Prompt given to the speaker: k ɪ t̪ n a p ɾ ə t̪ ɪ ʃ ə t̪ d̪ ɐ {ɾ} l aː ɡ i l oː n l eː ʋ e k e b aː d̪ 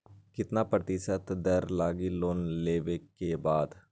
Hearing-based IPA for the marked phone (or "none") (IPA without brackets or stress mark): ɾ